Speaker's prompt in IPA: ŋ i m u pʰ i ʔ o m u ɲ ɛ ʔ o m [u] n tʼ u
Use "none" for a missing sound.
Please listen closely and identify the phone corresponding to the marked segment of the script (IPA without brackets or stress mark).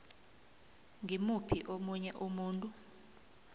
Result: uː